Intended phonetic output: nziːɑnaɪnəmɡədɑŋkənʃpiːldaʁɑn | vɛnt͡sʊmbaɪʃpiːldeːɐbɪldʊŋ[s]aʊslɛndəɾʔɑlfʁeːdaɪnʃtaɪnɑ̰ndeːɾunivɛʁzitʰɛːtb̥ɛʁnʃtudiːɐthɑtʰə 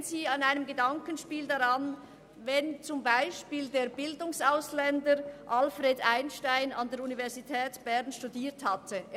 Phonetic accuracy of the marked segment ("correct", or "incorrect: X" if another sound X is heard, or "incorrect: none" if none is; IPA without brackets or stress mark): correct